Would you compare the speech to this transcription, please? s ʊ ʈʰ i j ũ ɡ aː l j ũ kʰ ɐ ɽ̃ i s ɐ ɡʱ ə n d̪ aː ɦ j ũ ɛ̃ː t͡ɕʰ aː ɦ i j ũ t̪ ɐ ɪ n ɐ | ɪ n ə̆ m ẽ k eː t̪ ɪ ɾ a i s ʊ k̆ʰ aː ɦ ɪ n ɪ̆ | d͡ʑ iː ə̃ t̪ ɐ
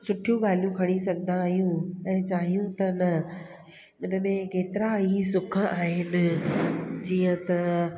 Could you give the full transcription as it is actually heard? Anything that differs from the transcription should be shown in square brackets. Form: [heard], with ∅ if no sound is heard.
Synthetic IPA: s ʊ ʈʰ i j ũ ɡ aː l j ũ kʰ ɐ ɽ̃ i s ɐ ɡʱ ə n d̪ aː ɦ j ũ ɛ̃ː [t͡ɕ] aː ɦ i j ũ t̪ ɐ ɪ n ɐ | ɪ n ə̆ m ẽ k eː t̪ ɪ ɾ a i s ʊ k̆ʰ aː ɦ ɪ n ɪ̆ | d͡ʑ iː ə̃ t̪ ɐ